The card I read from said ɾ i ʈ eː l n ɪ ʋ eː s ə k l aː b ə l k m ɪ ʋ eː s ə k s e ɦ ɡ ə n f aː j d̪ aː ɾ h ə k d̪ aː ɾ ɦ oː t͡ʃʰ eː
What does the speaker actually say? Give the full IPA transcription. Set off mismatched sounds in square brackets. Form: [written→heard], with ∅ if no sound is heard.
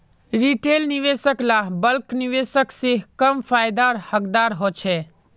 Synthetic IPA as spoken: ɾ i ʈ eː l n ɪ ʋ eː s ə k l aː b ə l k [m→n] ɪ ʋ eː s ə k s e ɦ [ɡ→k] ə [n→m] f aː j d̪ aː ɾ h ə k d̪ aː ɾ ɦ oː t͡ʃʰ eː